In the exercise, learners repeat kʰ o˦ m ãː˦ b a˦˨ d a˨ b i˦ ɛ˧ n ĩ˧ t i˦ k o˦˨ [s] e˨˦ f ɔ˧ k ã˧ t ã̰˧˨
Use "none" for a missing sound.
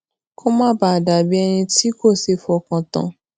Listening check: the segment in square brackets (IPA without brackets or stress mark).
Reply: s